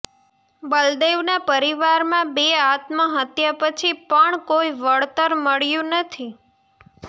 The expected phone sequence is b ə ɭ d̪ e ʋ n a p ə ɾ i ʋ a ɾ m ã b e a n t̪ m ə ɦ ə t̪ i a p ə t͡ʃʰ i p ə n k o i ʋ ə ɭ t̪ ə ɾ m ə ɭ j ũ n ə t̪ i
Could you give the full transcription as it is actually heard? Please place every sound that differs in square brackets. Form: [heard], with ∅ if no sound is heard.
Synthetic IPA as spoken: b ə [l] d̪ e ʋ n a p ə ɾ i ʋ a ɾ m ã b e a [∅] t̪ m ə ɦ ə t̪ [j] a p ə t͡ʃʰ i p ə [ɳ] k o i ʋ ə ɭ t̪ ə ɾ m ə ɭ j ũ n ə [t̪ʰ] i